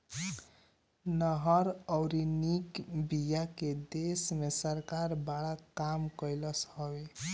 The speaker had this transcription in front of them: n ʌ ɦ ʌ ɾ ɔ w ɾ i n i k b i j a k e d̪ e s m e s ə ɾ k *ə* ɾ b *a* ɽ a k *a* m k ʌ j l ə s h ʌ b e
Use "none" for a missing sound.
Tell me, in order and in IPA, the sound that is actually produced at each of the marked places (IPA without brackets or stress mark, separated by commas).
a, a, a